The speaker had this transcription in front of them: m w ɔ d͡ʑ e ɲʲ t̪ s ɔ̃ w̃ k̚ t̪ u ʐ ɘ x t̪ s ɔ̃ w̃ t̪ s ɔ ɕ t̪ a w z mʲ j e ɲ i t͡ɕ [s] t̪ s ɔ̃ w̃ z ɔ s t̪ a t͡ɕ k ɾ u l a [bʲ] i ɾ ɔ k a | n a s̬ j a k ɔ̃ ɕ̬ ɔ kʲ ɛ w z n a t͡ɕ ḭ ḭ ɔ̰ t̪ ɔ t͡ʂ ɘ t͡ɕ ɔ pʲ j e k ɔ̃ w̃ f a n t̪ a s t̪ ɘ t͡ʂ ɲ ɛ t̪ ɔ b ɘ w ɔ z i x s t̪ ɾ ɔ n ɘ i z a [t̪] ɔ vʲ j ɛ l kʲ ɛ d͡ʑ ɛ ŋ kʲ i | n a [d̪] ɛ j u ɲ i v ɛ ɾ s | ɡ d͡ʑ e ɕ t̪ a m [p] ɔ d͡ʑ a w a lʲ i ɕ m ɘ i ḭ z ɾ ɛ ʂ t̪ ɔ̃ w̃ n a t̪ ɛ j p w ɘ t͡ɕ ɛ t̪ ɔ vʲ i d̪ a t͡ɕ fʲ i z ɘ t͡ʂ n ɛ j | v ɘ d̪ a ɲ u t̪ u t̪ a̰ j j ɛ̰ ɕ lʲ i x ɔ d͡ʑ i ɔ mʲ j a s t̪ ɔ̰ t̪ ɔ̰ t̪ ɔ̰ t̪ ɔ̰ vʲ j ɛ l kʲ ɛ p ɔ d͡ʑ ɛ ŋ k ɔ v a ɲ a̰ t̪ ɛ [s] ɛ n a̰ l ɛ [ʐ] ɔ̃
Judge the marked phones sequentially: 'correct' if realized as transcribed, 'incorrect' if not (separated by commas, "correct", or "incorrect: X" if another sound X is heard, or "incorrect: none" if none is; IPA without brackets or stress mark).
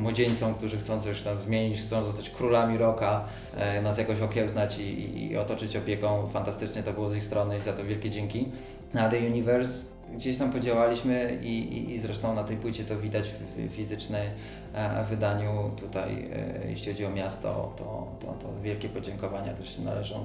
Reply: incorrect: x, incorrect: mʲ, correct, correct, correct, incorrect: ʂ, correct